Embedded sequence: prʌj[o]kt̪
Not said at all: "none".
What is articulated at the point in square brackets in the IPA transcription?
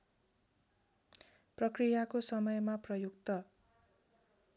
u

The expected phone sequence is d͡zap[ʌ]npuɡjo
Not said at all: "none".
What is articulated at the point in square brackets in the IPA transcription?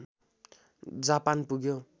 a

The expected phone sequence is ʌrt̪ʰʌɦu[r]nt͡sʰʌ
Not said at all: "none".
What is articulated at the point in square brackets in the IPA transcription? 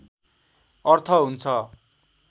none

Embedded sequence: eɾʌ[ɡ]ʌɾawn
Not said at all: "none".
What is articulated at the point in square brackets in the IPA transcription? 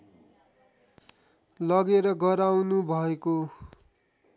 ɡ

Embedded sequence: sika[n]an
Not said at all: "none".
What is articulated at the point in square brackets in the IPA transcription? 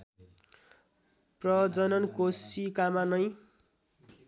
m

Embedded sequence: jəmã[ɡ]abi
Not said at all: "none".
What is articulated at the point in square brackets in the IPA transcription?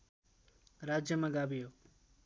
ɡ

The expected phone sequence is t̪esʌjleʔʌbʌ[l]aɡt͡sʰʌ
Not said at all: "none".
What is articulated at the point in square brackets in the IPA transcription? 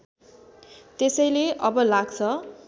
l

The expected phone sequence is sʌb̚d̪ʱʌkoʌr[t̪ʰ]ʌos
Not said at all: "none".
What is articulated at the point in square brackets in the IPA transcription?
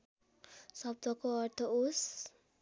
t̪ʰ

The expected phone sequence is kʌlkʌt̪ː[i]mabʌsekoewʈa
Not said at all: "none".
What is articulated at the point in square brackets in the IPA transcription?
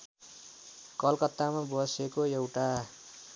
a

